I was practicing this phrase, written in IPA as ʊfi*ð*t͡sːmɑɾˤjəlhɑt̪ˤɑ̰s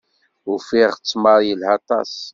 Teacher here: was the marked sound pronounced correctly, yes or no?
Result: no